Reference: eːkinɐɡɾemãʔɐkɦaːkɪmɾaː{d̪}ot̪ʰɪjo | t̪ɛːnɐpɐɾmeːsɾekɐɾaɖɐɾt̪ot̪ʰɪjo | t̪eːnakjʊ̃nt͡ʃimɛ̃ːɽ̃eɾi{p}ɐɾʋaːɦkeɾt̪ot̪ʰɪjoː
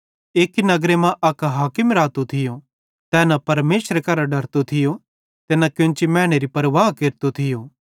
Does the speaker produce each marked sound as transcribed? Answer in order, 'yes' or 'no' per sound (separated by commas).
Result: no, yes